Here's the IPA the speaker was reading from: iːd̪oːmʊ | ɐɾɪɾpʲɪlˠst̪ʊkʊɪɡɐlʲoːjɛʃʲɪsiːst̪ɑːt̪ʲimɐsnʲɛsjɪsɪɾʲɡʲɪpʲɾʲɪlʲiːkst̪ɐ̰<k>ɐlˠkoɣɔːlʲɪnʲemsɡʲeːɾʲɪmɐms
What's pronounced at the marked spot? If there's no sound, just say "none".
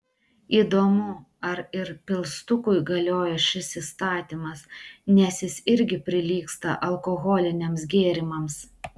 ʔ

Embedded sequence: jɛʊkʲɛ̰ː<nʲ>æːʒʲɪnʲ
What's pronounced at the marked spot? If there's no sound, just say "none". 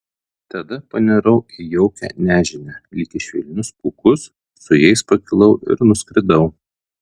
nʲ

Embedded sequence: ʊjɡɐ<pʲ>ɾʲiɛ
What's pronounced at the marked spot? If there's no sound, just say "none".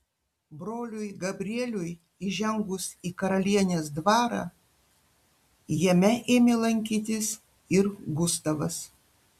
bʲ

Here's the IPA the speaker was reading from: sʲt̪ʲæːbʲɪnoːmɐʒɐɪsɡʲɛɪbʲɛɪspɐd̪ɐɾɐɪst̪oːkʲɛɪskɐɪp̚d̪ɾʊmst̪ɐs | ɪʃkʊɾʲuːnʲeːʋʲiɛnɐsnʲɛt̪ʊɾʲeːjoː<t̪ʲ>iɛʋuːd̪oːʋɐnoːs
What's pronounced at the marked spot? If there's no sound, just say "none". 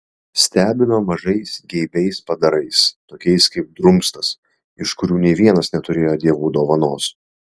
d̪ʲ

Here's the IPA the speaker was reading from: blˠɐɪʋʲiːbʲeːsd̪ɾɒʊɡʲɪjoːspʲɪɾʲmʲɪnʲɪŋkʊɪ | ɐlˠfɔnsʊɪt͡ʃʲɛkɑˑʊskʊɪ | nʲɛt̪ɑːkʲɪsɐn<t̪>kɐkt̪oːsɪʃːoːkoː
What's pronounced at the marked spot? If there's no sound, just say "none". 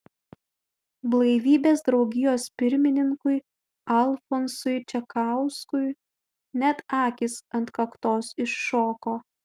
t̪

